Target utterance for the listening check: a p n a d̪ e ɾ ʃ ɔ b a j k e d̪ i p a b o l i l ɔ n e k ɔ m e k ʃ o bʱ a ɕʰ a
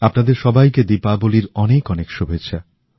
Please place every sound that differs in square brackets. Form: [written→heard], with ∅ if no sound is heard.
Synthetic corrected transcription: a p n a d̪ e ɾ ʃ ɔ b a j k e d̪ i p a b o l i [l→ɾ] ɔ n e k ɔ [m→n] e k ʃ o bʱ [a→e] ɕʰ a